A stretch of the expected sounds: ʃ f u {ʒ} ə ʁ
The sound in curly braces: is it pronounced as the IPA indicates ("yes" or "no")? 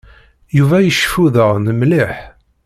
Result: no